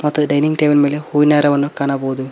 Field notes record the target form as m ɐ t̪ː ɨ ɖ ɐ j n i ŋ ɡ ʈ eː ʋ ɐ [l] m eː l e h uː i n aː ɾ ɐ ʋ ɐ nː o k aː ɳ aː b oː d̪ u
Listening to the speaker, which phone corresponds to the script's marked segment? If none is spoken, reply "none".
l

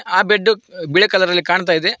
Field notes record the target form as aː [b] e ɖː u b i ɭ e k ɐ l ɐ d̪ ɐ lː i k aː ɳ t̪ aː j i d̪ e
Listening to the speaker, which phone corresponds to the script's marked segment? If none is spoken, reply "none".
b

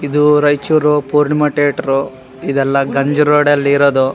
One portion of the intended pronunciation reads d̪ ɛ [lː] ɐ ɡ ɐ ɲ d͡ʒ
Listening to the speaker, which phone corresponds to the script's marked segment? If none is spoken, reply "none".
lː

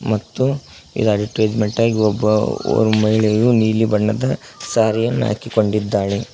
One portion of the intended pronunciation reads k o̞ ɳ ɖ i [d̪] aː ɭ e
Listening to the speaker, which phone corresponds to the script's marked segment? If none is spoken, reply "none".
d̪ː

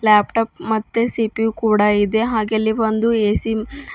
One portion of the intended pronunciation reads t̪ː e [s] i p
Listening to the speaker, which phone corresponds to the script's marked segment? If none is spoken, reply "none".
s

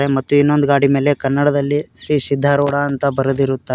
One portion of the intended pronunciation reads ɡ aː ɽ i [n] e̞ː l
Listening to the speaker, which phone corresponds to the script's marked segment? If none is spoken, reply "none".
m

